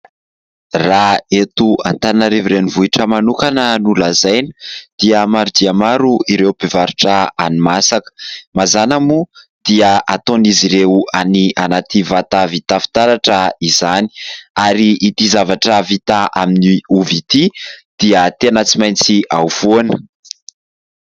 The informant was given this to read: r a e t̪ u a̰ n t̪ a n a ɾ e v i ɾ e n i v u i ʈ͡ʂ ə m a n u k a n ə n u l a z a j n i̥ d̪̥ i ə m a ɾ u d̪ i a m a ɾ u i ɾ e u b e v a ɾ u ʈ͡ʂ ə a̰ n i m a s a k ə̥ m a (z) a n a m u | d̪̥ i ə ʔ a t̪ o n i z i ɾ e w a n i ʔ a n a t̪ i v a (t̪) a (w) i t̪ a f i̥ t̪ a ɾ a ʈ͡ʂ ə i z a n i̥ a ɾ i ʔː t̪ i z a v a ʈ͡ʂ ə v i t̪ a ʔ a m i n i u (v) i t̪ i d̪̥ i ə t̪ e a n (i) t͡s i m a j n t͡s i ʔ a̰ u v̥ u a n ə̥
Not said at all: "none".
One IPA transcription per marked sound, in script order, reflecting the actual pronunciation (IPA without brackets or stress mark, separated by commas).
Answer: z, t̪, v, v, a